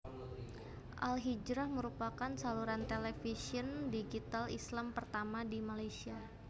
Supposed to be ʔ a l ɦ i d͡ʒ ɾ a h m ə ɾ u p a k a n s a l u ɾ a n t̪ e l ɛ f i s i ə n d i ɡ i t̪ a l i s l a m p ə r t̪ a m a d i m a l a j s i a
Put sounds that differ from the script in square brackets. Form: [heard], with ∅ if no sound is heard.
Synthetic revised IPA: ʔ a l ɦ i d͡ʒ ɾ a h m ə ɾ u p a k a n s a l u ɾ a n t̪ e l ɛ f i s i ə n d i ɡ i t̪ a l i s l a m p ə r t̪ a m a d i m a l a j s i a